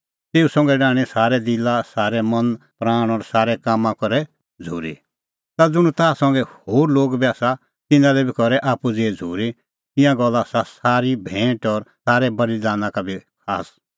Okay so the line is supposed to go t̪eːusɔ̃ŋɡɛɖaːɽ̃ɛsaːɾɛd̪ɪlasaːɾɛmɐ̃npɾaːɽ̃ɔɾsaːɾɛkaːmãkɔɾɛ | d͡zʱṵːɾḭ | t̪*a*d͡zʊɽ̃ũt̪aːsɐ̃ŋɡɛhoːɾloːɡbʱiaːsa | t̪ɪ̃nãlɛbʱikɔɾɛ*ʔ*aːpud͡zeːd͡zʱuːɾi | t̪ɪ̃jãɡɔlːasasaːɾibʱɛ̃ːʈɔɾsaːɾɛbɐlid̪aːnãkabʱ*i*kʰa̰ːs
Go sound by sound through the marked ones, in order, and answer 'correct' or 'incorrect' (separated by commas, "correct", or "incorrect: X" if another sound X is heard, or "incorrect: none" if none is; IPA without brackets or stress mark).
correct, correct, correct